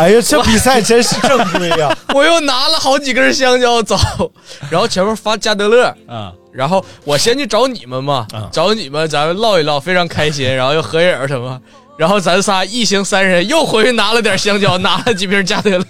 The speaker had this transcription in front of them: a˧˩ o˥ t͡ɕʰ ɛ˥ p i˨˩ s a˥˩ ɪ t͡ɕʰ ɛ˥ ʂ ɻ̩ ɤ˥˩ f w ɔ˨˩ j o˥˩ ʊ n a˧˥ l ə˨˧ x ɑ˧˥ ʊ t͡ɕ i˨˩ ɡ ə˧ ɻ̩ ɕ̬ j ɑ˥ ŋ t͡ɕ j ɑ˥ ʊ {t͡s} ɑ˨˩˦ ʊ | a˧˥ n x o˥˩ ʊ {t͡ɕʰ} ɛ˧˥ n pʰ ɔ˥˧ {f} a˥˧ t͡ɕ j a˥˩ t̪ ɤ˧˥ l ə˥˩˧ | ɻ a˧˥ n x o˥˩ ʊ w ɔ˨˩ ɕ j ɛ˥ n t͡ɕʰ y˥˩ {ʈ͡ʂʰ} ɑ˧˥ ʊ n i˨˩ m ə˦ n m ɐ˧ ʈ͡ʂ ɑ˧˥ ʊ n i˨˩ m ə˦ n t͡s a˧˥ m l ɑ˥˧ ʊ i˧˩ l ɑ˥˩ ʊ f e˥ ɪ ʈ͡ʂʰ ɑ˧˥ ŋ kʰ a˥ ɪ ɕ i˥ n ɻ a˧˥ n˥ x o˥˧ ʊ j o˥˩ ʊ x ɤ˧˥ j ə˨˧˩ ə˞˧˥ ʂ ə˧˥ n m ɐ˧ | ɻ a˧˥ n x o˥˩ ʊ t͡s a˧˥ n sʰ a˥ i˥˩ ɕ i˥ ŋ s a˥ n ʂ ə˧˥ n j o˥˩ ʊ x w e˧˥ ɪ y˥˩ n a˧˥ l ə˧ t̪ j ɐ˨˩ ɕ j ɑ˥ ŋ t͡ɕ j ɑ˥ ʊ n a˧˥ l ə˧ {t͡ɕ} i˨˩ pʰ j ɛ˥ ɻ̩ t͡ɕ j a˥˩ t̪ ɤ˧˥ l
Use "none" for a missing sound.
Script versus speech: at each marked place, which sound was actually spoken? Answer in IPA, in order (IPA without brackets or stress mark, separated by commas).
t͡s, t͡ɕʰ, f, ʈ͡ʂ, t͡ɕ